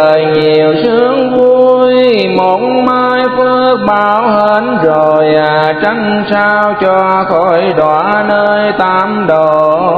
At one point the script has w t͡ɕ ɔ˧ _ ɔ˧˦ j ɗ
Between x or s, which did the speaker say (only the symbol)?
x